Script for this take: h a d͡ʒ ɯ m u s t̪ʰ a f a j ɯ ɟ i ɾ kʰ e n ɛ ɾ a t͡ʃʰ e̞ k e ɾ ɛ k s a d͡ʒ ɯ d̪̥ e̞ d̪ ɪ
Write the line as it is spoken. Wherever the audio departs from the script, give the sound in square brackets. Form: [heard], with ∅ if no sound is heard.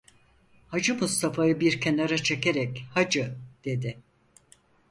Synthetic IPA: h a d͡ʒ ɯ m u s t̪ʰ a f a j ɯ [b] i ɾ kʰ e n [a] ɾ a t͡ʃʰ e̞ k e ɾ ɛ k [h] a d͡ʒ ɯ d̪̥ e̞ d̪ ɪ